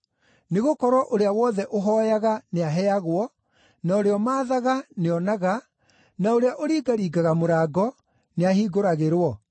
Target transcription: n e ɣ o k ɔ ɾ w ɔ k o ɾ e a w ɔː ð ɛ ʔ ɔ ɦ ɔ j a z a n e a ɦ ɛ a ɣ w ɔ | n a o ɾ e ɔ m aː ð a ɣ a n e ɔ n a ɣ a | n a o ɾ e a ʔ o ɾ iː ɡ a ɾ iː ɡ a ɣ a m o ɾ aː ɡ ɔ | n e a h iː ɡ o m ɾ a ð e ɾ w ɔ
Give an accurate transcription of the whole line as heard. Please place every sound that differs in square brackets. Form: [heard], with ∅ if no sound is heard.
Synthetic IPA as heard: n e ɣ o k ɔ ɾ w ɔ [ʔ] o ɾ e a w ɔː ð ɛ ʔ [o] ɦ ɔ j a [ɣ] a n e a ɦ ɛ a ɣ w ɔ | n a o ɾ e ɔ m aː ð a ɣ a n e ɔ n a ɣ a | n a o ɾ e a ʔ o ɾ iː ɡ a ɾ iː ɡ a ɣ a m o ɾ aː ɡ ɔ | n e a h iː ɡ o [∅] ɾ a [ɣ] e ɾ w ɔ